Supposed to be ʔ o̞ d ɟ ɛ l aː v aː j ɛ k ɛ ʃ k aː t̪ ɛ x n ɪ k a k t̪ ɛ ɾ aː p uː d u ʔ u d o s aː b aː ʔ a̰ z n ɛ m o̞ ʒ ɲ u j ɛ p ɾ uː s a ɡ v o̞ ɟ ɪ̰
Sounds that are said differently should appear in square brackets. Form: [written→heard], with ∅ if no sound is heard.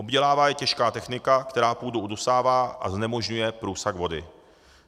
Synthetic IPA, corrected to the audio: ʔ o̞ [d→b] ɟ ɛ l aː v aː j ɛ [k→c] ɛ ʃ k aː t̪ ɛ x n ɪ k a k t̪ ɛ ɾ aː p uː d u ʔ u d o s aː [b→v] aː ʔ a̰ z n ɛ m o̞ ʒ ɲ u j ɛ p ɾ uː s a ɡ v o̞ [ɟ→d] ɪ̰